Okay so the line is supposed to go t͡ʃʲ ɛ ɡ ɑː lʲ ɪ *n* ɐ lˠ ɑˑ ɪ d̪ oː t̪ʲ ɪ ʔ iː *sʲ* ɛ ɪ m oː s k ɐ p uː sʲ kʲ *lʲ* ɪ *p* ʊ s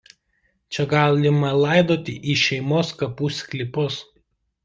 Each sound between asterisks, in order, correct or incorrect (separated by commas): incorrect, incorrect, correct, correct